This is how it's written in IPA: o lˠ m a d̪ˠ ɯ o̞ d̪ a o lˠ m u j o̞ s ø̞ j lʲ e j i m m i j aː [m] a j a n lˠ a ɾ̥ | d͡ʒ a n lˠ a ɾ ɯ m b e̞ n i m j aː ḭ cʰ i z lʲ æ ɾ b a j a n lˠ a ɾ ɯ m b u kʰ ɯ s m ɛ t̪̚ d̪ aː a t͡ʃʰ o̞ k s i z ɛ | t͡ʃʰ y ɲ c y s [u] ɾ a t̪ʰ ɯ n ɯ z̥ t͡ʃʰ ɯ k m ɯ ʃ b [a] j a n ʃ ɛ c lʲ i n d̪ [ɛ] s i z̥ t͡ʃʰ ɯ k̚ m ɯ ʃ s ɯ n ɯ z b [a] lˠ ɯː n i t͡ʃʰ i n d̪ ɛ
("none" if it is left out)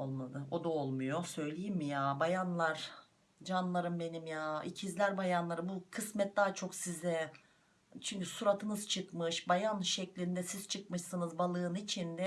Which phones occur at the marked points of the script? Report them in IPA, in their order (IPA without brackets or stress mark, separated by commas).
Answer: b, u, a, ɛ, a